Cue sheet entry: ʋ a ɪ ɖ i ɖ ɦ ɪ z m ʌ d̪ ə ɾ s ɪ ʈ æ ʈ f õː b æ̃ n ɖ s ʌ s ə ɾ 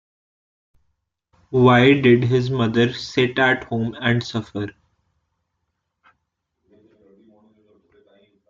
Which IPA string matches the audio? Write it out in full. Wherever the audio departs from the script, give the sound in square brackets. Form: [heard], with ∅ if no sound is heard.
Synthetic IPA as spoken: ʋ a ɪ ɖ [ɪ] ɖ ɦ ɪ z m ʌ d̪ ə ɾ s ɪ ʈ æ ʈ [h] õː [m] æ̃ [ɳ] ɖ s ʌ [f] ə ɾ